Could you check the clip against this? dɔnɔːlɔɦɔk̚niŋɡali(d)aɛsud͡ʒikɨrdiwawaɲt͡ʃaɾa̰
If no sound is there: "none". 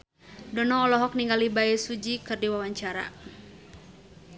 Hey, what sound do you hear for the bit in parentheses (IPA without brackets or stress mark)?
b